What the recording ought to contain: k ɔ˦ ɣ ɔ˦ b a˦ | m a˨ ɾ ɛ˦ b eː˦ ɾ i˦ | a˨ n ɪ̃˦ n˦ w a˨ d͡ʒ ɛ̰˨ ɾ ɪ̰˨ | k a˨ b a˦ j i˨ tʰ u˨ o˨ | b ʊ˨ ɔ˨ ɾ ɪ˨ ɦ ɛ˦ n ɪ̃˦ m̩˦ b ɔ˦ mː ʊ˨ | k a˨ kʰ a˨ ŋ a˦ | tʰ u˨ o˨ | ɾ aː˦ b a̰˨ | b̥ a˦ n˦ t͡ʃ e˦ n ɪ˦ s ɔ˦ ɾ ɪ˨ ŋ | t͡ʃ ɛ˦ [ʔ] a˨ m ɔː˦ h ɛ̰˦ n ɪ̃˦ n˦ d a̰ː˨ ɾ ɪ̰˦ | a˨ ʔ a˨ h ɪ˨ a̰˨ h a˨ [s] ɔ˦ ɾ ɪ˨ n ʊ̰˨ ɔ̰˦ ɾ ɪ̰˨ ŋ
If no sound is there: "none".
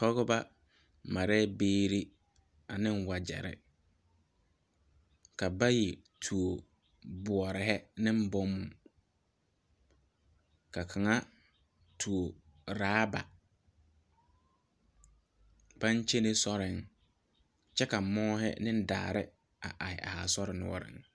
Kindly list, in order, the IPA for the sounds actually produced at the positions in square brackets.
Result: k, s

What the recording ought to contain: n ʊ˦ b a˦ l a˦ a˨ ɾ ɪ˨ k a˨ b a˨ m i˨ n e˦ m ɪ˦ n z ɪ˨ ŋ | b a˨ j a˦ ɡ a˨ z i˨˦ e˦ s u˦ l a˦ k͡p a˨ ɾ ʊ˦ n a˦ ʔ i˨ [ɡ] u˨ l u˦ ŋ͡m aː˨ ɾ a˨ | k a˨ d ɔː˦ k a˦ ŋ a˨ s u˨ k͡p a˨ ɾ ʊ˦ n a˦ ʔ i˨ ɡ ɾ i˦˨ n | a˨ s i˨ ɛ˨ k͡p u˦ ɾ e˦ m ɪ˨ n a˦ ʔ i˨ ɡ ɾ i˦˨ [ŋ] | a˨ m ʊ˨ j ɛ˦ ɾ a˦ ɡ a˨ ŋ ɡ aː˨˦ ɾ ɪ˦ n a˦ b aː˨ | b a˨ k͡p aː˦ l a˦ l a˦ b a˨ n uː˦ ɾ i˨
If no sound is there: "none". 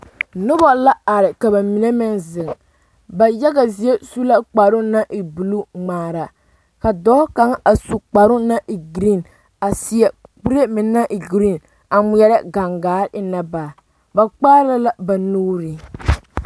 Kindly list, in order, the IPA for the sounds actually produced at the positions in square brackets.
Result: b, n

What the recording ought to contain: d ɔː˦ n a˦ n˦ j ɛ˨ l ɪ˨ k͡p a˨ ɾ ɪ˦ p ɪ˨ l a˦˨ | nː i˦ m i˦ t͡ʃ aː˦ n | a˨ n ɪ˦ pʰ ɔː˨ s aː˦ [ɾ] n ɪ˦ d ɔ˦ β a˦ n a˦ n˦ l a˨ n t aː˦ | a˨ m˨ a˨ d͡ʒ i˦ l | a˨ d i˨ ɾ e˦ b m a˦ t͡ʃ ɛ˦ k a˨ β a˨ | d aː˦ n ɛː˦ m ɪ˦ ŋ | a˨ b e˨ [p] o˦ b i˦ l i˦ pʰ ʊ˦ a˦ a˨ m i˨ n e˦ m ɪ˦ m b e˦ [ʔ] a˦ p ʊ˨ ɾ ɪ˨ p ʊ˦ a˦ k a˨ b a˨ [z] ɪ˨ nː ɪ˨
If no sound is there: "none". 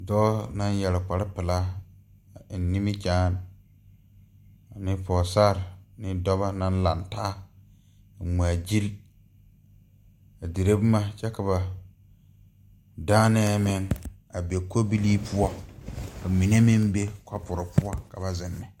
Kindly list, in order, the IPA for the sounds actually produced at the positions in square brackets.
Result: ɾ, k, k, z

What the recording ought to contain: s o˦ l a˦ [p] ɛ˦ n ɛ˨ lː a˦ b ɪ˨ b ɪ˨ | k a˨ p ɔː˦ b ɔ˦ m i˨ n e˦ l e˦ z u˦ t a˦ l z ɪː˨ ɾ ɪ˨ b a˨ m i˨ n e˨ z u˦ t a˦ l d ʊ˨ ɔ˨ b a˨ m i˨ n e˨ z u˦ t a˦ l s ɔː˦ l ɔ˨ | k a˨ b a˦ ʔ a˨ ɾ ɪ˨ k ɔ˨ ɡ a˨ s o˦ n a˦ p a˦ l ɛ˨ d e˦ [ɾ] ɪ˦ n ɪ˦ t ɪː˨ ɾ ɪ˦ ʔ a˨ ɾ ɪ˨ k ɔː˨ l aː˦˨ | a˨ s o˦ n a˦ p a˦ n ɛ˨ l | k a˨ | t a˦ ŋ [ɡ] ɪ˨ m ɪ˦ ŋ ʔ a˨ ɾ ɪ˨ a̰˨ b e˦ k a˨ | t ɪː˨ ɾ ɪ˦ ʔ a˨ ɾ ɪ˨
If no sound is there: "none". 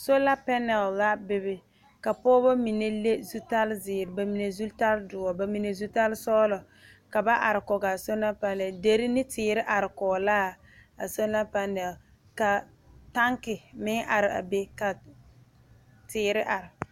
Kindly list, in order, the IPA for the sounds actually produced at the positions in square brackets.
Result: p, ɾ, k

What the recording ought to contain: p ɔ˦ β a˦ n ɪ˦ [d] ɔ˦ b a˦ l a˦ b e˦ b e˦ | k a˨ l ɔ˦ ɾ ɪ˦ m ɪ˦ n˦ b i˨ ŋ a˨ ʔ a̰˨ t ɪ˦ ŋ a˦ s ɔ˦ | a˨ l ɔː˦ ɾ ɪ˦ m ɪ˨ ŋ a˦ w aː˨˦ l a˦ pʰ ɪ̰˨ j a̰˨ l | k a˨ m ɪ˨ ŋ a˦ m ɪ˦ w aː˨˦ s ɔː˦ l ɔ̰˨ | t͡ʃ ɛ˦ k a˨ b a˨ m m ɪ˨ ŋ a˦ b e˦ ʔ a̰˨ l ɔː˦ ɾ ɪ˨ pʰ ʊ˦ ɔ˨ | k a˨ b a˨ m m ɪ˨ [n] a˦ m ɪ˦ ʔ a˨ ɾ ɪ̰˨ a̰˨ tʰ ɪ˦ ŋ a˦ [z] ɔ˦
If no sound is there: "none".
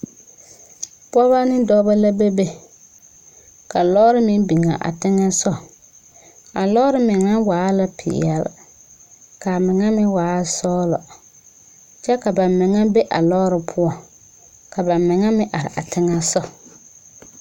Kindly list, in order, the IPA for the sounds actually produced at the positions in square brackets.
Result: d, ŋ, s

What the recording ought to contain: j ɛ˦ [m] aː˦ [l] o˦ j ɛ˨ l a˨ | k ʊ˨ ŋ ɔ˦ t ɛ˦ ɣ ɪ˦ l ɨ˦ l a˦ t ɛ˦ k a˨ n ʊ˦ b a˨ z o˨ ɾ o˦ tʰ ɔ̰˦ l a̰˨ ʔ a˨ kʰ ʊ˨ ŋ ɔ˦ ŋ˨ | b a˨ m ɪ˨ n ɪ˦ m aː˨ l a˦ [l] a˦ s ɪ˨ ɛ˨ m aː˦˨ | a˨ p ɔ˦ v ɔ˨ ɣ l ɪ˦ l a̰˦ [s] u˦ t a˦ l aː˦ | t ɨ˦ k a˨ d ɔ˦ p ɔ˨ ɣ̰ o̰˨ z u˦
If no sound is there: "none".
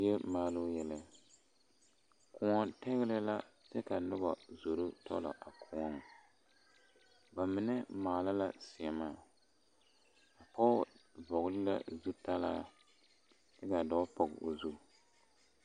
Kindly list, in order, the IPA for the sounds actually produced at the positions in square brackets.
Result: m, l, l, z

